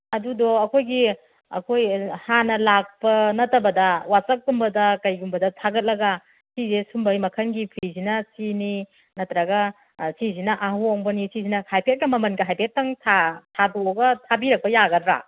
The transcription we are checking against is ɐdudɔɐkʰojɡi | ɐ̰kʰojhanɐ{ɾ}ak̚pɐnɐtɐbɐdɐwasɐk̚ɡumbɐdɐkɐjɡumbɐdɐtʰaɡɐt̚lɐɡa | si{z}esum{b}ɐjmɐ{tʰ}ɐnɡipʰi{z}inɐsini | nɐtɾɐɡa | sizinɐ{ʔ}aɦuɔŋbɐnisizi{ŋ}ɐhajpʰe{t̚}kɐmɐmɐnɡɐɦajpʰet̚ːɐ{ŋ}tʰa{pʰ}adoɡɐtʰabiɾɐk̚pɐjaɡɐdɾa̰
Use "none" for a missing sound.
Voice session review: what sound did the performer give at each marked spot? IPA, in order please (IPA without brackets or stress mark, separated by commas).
l, z, b, kʰ, z, ʔ, n, t̚, ŋ, tʰ